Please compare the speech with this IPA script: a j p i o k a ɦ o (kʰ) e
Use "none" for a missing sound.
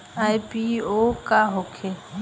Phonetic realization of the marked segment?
kʰ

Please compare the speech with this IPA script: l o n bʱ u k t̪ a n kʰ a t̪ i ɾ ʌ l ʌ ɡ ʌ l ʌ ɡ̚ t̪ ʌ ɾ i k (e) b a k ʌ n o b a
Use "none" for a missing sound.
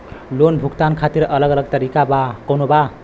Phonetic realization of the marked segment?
a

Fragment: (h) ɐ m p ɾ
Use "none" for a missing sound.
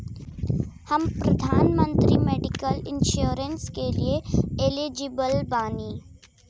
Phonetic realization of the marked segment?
h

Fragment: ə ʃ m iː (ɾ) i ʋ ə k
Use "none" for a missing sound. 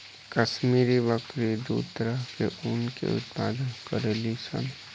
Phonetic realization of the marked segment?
ɾ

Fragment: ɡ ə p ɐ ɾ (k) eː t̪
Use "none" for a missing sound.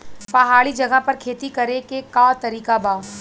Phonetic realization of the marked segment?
kʰ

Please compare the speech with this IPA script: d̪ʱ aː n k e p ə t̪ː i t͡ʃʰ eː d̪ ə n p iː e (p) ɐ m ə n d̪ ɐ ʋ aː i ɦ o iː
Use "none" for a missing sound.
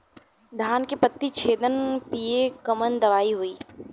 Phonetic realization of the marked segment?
k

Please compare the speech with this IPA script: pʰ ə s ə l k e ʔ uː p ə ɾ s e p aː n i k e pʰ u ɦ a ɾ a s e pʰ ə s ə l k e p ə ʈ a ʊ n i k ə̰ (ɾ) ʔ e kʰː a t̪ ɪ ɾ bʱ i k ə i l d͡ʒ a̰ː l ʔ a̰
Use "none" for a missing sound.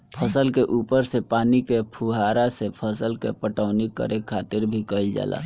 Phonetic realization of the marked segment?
ɾ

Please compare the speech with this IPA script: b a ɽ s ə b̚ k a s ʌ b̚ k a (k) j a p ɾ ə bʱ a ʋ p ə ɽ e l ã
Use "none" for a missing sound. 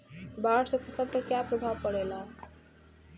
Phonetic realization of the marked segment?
k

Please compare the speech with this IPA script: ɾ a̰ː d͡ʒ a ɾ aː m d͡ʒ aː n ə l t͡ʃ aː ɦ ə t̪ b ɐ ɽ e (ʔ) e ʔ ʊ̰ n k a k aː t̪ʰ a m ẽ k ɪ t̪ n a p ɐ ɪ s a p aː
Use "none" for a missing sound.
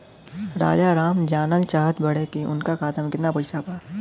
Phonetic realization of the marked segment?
k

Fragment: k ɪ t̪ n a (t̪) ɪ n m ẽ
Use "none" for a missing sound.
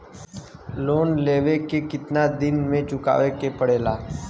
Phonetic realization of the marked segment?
d̪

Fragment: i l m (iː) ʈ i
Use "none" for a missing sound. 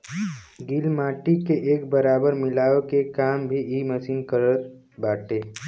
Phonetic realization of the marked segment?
aː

